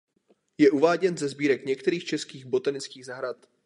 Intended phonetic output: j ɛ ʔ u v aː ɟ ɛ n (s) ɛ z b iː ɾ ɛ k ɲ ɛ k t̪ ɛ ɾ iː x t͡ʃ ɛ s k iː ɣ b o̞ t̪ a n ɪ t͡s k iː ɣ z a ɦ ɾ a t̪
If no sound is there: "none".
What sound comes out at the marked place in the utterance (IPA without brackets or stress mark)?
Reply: z